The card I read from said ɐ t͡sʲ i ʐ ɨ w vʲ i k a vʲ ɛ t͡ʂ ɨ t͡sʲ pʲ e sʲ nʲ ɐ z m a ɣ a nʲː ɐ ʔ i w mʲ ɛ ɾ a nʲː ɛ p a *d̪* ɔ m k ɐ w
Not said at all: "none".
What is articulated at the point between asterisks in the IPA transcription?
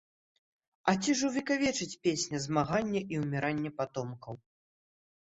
t̪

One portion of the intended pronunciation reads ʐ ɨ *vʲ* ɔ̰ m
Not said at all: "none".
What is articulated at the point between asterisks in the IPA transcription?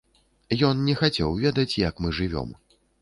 vʲ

